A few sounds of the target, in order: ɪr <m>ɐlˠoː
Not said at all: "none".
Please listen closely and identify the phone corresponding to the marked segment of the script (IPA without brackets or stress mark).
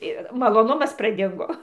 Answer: m